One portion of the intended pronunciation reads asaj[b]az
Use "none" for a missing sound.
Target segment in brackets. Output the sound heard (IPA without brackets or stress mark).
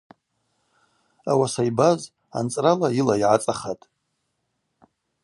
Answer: b